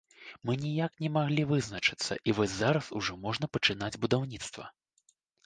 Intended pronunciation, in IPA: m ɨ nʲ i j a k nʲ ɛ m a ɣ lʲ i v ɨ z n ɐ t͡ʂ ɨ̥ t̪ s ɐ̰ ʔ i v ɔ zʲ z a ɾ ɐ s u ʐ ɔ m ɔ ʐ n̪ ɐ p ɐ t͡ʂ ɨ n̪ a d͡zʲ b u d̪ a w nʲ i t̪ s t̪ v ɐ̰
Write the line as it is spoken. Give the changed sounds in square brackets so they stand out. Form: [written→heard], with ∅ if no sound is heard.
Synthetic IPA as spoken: m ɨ nʲ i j a k nʲ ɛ m a ɣ lʲ i v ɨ z n ɐ t͡ʂ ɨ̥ t̪ [s→sː] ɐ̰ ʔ i v ɔ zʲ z a ɾ ɐ s u ʐ ɔ m ɔ ʐ n̪ ɐ p ɐ t͡ʂ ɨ n̪ a d͡zʲ b u d̪ a w nʲ i t̪ s t̪ v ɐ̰